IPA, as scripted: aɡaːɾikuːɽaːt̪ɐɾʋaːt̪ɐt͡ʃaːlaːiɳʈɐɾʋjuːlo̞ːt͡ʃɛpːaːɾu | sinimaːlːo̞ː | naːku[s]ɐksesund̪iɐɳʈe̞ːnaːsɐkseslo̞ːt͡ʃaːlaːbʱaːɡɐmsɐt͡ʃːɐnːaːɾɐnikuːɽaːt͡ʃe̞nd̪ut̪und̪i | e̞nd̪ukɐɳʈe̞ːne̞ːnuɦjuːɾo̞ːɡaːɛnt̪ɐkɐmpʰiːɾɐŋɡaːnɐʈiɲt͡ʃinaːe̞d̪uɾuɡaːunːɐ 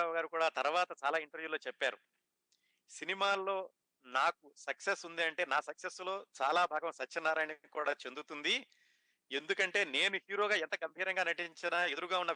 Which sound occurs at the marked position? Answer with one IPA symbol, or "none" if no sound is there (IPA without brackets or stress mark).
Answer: s